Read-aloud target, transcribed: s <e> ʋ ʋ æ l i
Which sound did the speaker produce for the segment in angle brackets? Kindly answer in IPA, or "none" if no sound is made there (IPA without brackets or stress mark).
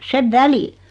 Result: e